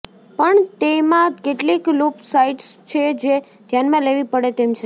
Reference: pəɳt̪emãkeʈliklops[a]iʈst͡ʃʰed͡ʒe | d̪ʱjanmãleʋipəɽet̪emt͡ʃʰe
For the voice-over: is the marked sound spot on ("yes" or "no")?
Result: yes